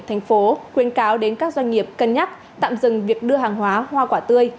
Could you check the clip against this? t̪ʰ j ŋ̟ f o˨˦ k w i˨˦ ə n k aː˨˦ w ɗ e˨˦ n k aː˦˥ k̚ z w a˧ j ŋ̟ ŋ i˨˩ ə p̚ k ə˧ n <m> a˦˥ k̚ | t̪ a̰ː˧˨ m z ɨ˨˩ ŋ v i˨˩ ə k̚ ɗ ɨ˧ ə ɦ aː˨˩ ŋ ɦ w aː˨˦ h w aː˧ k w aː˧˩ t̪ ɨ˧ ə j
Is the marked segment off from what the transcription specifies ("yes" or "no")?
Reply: yes